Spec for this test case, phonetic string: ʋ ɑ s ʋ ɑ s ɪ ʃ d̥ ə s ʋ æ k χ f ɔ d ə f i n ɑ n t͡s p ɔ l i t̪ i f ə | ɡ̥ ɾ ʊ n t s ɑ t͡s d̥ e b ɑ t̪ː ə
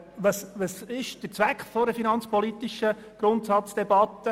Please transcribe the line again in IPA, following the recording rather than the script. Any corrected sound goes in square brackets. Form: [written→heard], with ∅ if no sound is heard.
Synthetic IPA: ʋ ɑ s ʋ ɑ s ɪ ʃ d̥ ə [s→t͡s] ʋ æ k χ f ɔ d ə f i n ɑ n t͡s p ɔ l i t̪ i [f→ʃ] ə | ɡ̥ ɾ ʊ n t s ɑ t͡s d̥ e b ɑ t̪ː ə